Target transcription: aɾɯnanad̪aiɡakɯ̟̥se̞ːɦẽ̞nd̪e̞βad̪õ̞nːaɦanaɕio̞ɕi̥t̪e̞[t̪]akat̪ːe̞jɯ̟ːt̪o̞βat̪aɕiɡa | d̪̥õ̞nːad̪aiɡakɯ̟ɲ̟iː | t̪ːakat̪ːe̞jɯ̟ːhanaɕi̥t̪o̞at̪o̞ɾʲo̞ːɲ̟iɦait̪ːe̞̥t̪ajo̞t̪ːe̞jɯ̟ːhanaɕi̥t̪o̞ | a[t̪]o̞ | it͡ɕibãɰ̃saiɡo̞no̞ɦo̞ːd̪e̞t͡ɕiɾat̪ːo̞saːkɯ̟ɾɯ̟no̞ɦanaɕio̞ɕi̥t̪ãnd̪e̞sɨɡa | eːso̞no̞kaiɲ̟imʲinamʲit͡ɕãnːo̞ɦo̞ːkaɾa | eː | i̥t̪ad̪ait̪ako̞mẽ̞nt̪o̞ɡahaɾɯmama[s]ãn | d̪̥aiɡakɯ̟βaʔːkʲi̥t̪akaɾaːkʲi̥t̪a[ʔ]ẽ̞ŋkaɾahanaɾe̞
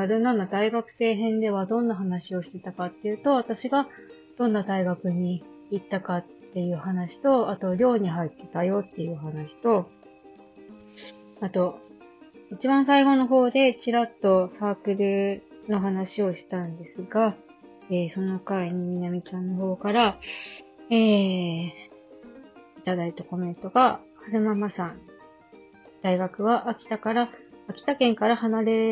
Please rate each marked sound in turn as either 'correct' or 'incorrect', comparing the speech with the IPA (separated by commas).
correct, correct, correct, incorrect